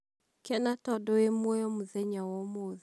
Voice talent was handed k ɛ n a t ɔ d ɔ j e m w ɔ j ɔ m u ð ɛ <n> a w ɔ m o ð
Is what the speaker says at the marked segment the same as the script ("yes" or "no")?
no